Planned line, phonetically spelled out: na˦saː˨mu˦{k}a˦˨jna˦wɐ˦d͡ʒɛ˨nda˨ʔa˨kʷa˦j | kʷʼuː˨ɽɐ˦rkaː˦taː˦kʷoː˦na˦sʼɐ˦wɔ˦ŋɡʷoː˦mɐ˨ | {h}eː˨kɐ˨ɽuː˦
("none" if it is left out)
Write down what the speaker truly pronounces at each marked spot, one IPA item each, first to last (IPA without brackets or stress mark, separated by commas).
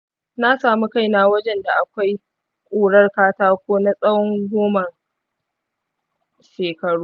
k, ʃ